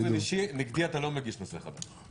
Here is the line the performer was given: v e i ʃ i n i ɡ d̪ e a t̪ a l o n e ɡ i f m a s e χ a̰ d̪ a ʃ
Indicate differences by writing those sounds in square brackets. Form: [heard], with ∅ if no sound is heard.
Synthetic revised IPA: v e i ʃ i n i ɡ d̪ [i] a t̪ a l o [m] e ɡ i [ʃ] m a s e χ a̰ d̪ a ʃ